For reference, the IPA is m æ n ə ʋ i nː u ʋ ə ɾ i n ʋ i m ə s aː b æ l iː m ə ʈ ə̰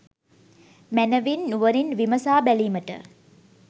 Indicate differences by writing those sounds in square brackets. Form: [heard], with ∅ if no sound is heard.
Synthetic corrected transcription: m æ n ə ʋ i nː u ʋ ə ɾ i n ʋ i m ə s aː b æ l iː m ə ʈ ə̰